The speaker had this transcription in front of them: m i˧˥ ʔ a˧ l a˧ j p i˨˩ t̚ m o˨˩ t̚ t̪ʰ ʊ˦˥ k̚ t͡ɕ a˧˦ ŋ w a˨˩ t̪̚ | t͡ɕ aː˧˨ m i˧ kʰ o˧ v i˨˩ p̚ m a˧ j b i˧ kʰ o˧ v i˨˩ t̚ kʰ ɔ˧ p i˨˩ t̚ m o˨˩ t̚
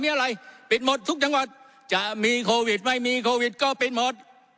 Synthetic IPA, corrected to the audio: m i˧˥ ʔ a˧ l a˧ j p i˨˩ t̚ m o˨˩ t̚ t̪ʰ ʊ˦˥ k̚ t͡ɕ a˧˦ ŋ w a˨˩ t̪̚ | t͡ɕ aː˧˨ m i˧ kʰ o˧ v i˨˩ t̚ m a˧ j m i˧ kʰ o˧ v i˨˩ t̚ k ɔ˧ p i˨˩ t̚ m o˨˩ t̚